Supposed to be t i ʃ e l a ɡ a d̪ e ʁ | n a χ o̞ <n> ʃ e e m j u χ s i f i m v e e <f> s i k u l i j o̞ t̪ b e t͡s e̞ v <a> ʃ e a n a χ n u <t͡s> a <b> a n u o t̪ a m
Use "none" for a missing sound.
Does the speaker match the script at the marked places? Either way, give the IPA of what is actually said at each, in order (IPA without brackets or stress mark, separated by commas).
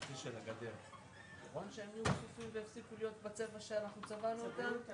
n, f, a, t͡s, v